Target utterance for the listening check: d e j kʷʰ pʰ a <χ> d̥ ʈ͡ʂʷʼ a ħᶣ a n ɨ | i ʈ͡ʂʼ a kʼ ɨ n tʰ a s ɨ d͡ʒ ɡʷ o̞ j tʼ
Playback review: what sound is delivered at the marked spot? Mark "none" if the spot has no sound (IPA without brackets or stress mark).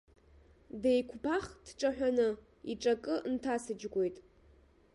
χ